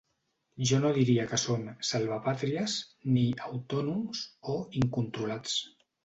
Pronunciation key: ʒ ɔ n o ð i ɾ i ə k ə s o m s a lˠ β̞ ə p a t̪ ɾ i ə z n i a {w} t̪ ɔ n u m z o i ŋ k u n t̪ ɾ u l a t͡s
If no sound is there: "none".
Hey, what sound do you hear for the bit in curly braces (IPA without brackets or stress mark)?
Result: w